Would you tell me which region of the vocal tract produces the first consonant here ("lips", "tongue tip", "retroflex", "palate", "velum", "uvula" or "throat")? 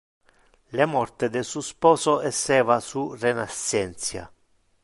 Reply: tongue tip